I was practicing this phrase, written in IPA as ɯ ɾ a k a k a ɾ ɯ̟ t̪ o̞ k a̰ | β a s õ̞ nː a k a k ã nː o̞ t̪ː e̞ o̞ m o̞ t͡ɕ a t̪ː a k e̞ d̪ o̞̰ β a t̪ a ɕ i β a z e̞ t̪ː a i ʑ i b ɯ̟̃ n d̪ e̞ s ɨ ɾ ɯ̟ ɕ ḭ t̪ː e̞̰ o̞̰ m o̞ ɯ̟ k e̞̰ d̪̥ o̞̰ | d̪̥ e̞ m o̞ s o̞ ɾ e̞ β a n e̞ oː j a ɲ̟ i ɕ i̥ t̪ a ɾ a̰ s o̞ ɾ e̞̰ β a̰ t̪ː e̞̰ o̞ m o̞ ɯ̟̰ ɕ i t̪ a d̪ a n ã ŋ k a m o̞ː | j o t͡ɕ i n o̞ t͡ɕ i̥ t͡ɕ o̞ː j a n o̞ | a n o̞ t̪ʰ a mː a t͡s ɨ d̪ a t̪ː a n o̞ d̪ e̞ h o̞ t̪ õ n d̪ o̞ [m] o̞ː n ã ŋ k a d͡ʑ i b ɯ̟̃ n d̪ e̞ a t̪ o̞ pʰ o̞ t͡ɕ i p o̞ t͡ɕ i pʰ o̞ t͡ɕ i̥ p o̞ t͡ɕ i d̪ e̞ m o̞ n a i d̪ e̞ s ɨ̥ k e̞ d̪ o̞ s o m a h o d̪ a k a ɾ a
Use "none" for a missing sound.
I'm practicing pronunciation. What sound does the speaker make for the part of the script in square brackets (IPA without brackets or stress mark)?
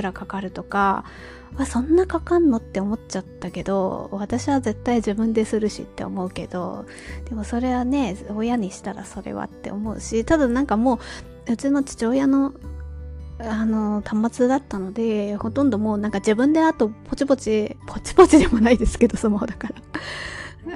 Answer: m